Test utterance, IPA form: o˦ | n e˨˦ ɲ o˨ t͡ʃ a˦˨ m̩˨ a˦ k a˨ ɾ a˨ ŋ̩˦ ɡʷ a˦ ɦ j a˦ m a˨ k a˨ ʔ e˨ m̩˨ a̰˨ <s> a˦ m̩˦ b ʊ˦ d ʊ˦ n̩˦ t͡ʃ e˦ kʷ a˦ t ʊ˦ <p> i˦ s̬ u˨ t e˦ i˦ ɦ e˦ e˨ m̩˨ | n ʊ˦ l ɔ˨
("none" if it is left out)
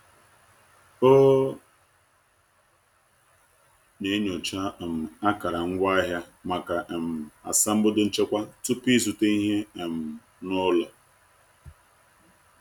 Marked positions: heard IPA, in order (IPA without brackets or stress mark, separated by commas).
s, p